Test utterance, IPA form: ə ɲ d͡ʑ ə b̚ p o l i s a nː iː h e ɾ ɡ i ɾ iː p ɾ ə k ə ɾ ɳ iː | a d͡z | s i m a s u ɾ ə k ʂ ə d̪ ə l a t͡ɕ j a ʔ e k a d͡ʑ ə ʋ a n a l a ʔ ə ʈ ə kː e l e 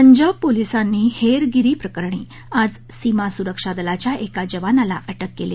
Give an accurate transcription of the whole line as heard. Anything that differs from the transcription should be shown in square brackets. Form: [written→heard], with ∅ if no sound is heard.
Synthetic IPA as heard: ə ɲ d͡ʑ ə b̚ p o l i s a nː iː h e ɾ ɡ i ɾ iː p ɾ ə k ə ɾ ɳ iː | a d͡z | s i m a s u ɾ ə k ʂ [ə→a] d̪ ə l a t͡ɕ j a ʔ e k a d͡ʑ ə ʋ a n a l a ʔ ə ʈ ə kː e l e

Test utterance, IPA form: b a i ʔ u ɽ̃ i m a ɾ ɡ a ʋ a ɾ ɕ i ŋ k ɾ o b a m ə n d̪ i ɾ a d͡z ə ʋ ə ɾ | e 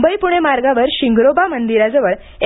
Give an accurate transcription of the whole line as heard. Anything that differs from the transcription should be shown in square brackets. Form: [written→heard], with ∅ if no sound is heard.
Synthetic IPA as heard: b [a→ə] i [ʔ→p] u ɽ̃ [i→e] m a ɾ ɡ a ʋ [a→ə] ɾ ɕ i ŋ [k→ɡ] ɾ o b a m ə n d̪ i ɾ a d͡z ə ʋ ə [ɾ→ɭ] | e

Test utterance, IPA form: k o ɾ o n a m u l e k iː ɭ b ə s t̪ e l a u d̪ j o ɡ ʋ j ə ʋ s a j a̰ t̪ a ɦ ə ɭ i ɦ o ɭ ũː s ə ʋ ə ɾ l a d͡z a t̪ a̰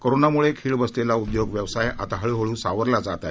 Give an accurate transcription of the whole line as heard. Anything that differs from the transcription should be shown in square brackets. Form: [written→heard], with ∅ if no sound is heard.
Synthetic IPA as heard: k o ɾ o n a m u [l→ɭ] e [k→kʰ] iː ɭ b ə s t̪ e l a u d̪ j o ɡ ʋ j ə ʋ s a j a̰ t̪ a ɦ ə ɭ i ɦ o ɭ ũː s [ə→a] ʋ ə ɾ l a d͡z a t̪ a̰

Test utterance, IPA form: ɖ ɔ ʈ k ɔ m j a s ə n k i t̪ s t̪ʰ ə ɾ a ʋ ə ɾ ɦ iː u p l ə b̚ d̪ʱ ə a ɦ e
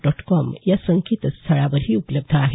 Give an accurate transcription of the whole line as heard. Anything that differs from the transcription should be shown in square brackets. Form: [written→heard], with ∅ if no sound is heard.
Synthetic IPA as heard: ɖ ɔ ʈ k ɔ m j a s ə [n→ŋ] k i t̪ s t̪ʰ ə [ɾ→ɭ] a ʋ ə ɾ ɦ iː u p l ə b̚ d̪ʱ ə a ɦ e

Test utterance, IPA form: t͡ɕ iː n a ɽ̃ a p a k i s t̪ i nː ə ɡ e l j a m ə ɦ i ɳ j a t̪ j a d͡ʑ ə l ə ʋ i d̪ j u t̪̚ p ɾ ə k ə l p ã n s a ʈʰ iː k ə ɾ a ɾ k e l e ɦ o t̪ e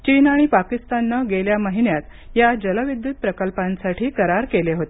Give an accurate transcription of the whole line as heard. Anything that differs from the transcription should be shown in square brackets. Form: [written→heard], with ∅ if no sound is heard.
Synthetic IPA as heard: t͡ɕ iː n a ɽ̃ [a→i] p a k i s t̪ [i→a] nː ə ɡ e l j a m ə ɦ i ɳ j a t̪ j a d͡ʑ ə l ə ʋ i d̪ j u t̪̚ p ɾ ə k ə l p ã n s a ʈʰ iː k ə ɾ a ɾ k e l e ɦ o t̪ e

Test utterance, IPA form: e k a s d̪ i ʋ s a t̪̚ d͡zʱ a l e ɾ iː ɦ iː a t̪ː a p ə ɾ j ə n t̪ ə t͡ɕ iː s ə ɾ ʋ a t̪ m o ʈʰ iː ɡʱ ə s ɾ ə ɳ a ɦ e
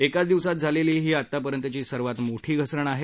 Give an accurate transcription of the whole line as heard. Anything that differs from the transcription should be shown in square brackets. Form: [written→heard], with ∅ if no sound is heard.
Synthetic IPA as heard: e k a [s→t͡s] d̪ i ʋ s a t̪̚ d͡zʱ a l e [ɾ→l] iː ɦ iː a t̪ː a p ə ɾ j ə n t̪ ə t͡ɕ iː s ə ɾ ʋ a t̪ m o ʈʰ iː ɡʱ ə s ɾ ə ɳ a ɦ e

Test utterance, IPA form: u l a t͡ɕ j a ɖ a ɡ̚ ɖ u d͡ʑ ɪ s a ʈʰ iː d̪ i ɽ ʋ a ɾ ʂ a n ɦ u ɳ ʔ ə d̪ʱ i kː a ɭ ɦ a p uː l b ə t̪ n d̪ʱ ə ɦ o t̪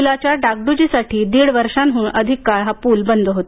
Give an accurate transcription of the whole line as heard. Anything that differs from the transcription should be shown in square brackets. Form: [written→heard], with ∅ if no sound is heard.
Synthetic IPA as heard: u l a t͡ɕ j a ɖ a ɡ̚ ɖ u d͡ʑ [ɪ→i] s a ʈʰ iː d̪ i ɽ ʋ [a→ə] ɾ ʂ a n ɦ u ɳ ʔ ə d̪ʱ i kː a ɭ ɦ a p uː l b ə [t̪→∅] n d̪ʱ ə ɦ o t̪

